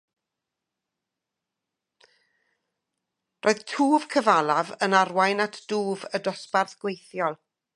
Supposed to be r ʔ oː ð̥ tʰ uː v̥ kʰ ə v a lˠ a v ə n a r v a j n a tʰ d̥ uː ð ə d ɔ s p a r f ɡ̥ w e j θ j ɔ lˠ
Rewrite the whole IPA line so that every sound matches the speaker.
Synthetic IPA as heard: r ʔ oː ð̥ tʰ uː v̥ kʰ ə v a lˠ a v ə n a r w a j n a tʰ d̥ uː v ə d ɔ s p a r θ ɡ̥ w e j θ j ɔ lˠ